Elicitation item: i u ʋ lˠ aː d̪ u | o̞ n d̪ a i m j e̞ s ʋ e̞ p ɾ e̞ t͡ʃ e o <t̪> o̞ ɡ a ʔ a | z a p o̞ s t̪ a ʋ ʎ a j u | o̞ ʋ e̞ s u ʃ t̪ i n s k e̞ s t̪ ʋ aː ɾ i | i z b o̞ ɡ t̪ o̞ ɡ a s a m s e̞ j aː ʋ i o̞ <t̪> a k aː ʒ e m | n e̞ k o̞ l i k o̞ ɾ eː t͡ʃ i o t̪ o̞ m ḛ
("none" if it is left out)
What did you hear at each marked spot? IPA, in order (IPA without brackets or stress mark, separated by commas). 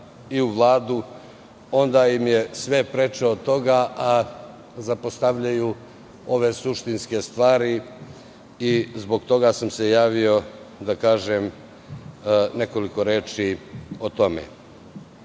t̪, d̪